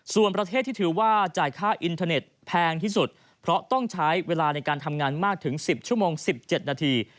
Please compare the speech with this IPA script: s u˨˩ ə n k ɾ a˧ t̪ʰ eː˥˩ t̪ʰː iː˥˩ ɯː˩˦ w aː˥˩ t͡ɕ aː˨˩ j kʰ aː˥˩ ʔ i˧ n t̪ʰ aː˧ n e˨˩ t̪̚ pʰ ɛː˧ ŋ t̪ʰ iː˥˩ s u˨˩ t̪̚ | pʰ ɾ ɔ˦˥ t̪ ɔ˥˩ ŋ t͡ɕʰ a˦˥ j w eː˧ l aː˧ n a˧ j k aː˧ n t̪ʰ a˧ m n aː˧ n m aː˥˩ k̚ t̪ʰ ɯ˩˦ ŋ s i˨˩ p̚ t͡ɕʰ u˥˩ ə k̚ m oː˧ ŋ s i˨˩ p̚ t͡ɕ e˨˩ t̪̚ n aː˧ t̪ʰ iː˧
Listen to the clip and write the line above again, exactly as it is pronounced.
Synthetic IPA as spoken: s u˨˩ ə n p ɾ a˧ t̪ʰ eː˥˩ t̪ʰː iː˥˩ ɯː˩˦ w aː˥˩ t͡ɕ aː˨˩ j kʰ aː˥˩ ʔ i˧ n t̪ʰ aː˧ n e˨˩ t̪̚ pʰ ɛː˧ ŋ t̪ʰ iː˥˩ s u˨˩ t̪̚ | pʰ ɾ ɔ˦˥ t̪ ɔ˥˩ ŋ t͡ɕʰ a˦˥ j w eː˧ l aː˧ n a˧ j k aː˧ n t̪ʰ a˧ m ŋ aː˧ n m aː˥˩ k̚ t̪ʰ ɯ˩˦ ŋ s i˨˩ p̚ t͡ɕʰ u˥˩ ə m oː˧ ŋ s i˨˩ p̚ t͡ɕ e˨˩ t̪̚ n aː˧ t̪ʰ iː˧